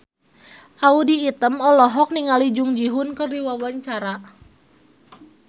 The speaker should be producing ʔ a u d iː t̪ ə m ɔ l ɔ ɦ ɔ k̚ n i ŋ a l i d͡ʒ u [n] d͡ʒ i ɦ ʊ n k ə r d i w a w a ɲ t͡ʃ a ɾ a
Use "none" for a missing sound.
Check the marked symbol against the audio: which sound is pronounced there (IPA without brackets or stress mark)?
ŋ